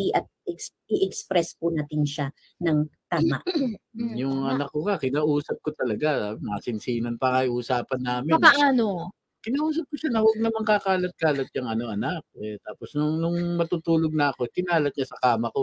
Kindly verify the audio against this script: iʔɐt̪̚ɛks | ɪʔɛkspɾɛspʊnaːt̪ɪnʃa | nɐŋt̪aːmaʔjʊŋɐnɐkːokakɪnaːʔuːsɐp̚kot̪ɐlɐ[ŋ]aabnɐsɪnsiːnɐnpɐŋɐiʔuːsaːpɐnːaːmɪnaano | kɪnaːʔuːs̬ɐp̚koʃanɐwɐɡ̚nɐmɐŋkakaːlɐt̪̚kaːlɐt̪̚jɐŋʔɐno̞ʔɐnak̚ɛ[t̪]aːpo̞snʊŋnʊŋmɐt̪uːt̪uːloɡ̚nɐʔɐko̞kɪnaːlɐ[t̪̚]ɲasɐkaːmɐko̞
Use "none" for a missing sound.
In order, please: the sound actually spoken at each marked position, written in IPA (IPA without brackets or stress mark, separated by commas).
ɡ, t̪, t̪̚